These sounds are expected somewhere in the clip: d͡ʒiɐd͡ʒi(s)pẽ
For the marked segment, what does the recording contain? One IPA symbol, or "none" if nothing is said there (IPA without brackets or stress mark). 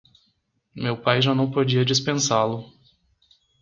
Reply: s